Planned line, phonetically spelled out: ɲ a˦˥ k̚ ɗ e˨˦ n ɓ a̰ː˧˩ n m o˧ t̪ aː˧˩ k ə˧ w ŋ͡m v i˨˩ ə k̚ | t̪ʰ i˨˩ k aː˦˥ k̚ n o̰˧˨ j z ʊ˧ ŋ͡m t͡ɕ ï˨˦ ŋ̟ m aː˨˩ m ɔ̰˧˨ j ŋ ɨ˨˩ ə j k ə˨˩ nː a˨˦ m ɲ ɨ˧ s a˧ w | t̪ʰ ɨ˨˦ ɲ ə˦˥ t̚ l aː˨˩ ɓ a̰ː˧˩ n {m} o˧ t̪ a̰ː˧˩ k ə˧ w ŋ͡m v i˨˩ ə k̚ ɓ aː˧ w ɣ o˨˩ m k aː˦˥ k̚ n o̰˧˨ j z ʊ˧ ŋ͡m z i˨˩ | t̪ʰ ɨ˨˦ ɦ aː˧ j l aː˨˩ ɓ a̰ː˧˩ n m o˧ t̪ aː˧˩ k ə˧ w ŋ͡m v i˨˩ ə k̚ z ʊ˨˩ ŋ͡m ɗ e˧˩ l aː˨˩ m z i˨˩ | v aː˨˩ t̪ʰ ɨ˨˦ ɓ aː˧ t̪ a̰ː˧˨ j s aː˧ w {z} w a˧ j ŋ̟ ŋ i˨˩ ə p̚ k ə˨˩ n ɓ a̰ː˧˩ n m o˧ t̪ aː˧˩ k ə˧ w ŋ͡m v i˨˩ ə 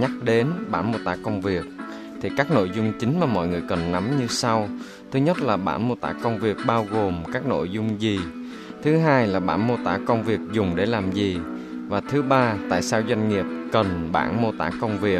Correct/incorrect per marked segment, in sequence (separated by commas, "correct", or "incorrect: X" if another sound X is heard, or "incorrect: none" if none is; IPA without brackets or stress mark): correct, correct